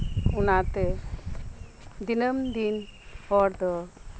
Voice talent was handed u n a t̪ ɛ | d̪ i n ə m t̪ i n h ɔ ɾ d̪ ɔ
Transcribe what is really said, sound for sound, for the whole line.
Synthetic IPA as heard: u n a t̪ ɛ | d̪ i n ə m d̪ i n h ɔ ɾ d̪ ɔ